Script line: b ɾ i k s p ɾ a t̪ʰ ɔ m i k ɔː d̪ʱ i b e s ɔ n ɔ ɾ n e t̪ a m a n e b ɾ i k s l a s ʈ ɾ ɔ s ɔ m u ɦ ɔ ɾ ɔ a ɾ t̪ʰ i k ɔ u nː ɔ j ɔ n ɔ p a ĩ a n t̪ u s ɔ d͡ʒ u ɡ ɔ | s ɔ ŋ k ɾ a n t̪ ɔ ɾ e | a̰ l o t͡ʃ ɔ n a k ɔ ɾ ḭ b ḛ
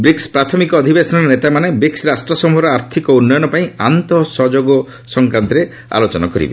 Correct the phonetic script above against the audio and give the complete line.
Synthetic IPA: b ɾ i k s p ɾ a t̪ʰ ɔ m i k ɔː d̪ʱ i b e s ɔ n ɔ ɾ n e t̪ a m a n e b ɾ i k s ɾ a s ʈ ɾ ɔ s ɔ m u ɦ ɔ ɾ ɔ a ɾ t̪ʰ i k ɔ u nː ɔ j ɔ n ɔ p a ĩ a n t̪ ɔ s ɔ d͡ʒ o ɡ ɔ | s ɔ ŋ k ɾ a n t̪ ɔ ɾ e | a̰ l o t͡ʃ ɔ n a k ɔ ɾ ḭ b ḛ